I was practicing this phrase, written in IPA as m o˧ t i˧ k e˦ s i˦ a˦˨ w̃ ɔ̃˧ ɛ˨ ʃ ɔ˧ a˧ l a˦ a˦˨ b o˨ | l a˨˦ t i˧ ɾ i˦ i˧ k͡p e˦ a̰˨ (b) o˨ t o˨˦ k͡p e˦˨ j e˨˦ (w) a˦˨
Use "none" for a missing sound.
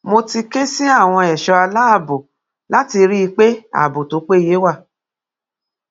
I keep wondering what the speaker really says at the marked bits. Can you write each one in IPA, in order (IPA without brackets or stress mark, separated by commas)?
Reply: b, w